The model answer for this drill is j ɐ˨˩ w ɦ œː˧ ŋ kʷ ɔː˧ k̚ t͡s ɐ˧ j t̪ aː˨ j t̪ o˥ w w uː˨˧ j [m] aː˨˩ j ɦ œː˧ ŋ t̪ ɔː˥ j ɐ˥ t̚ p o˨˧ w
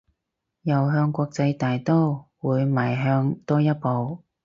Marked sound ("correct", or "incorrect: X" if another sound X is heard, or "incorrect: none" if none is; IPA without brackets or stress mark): correct